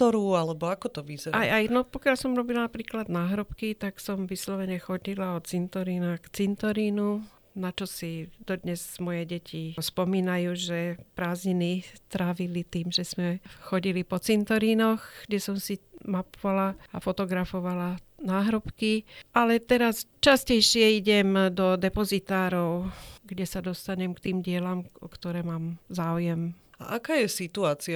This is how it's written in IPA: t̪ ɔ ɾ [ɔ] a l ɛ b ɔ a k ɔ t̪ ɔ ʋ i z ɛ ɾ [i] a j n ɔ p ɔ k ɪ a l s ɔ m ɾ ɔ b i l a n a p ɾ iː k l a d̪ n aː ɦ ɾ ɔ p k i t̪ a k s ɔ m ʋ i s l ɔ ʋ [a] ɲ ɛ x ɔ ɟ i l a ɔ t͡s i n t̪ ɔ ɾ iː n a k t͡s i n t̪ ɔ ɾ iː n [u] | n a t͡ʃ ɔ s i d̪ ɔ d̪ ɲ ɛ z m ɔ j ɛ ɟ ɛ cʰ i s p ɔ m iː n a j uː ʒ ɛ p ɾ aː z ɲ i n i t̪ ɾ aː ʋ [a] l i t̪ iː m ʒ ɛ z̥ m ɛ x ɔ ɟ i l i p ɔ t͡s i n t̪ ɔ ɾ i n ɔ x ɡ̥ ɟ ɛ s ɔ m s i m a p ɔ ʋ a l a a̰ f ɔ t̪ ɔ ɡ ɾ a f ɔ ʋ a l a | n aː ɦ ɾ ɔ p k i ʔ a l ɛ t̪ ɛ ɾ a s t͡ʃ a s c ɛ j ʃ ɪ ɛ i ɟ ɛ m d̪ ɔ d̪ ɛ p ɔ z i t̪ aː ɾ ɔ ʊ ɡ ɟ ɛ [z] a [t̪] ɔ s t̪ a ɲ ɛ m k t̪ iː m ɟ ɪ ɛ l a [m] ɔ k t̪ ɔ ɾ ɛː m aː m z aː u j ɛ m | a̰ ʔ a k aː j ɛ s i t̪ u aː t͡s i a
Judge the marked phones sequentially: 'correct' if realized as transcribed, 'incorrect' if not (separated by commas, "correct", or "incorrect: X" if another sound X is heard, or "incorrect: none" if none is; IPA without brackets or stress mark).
incorrect: u, incorrect: a, incorrect: ɛ, correct, incorrect: i, incorrect: s, incorrect: d̪, correct